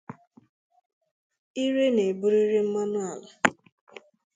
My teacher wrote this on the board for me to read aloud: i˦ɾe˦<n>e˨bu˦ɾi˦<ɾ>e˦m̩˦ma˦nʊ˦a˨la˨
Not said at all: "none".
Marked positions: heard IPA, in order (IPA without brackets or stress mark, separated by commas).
n, ɾ